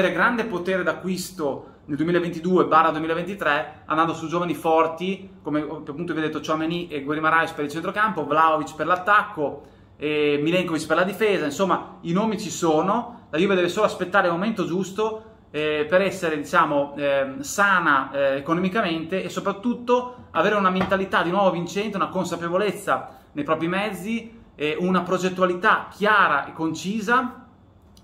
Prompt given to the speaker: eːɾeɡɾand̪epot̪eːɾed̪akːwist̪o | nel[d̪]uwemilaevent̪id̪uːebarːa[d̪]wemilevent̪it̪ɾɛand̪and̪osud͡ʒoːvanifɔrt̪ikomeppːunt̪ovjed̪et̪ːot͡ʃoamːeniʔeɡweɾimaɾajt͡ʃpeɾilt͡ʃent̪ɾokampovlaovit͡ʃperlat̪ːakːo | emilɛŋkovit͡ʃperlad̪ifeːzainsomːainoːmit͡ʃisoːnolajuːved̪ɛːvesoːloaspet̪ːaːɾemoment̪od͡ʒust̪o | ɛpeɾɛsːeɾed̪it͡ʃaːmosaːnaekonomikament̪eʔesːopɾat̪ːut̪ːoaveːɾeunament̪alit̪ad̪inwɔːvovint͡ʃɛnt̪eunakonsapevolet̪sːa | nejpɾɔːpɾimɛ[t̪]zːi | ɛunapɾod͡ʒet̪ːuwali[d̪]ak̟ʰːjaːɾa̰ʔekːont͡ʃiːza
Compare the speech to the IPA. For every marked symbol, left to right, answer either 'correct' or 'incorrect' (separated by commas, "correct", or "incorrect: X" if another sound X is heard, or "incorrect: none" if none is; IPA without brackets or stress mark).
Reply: correct, correct, incorrect: d̪, incorrect: t̪